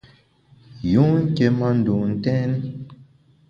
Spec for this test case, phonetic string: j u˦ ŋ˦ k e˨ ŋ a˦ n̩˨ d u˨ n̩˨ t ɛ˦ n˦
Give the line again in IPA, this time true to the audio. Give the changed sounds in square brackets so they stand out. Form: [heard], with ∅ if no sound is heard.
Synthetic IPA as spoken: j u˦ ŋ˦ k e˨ [m] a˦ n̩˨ d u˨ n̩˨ t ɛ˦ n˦

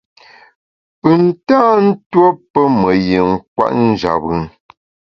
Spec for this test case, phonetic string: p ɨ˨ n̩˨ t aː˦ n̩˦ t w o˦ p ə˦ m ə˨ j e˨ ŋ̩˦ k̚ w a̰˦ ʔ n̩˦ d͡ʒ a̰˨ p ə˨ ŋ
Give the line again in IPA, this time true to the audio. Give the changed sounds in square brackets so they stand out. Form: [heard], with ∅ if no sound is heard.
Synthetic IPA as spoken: p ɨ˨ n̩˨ t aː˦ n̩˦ t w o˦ p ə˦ m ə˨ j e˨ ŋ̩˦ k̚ w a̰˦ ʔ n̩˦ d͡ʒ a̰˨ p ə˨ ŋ

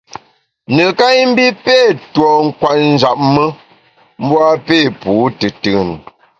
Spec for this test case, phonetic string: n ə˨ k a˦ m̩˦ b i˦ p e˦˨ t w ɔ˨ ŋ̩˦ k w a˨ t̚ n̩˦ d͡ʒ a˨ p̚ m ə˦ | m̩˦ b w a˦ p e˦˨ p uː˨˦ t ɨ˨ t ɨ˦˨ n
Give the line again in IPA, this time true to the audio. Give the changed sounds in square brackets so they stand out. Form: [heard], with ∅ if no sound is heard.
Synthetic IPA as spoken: n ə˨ k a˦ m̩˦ b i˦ p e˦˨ t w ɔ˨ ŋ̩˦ k w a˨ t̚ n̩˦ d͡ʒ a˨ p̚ m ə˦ | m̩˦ b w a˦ p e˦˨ p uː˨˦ t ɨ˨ t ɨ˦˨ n

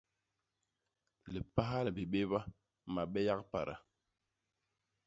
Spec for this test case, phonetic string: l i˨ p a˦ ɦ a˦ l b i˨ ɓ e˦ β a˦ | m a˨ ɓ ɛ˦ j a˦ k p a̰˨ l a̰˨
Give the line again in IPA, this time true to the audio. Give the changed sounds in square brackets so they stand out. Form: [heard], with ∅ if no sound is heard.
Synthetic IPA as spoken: l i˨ p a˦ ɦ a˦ l b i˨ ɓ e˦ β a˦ | m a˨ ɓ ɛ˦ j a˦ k p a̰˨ [ɾ] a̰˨

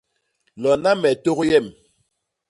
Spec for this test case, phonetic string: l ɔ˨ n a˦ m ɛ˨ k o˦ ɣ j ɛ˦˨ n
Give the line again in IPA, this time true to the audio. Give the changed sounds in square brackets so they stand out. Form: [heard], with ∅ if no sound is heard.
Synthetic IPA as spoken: l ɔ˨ n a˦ m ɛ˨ [t] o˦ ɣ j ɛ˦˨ [m]

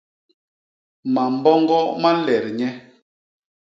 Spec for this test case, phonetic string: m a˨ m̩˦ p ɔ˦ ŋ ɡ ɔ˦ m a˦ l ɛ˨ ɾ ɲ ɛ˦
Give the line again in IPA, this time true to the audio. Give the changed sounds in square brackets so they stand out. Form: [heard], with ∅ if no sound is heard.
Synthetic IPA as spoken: m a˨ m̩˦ [b] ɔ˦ ŋ ɡ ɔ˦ m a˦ l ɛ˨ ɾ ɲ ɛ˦

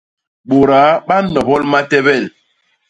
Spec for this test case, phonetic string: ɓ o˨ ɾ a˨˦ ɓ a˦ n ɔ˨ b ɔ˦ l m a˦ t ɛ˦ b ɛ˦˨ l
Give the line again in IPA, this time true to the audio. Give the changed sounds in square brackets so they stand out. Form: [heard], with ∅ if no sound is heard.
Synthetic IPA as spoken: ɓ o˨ ɾ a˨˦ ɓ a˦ n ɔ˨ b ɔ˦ l m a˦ t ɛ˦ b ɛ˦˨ l

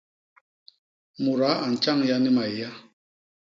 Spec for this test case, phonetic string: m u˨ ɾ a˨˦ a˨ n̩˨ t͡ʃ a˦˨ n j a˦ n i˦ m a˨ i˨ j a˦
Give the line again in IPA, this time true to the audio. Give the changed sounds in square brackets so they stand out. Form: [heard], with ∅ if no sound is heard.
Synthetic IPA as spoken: m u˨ ɾ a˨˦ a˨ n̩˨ t͡ʃ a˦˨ [ŋ] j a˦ n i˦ m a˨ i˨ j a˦

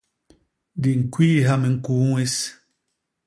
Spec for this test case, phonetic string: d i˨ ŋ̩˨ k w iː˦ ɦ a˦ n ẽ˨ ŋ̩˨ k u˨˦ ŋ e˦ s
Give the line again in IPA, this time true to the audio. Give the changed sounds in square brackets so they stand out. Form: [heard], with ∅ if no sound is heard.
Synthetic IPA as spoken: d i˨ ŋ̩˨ k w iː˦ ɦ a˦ [m] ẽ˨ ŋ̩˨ k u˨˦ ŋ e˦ s

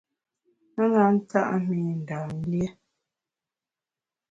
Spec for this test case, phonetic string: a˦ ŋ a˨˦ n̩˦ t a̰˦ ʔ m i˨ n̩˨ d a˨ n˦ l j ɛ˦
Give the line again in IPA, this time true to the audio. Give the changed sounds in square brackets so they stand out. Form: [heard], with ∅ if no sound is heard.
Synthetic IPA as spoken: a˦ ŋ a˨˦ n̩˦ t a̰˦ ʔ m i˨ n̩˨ d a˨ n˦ l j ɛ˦

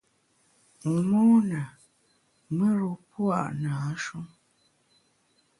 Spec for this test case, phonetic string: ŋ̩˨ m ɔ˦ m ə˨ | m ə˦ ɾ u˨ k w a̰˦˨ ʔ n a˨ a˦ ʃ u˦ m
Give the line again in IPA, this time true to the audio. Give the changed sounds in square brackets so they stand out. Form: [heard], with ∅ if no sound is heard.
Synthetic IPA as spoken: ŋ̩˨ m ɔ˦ [n] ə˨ | m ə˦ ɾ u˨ [p] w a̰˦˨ ʔ n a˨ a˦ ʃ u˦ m

